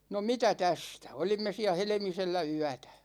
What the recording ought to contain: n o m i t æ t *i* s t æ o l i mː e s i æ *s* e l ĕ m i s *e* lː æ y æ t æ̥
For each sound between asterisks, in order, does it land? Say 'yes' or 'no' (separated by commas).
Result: no, no, yes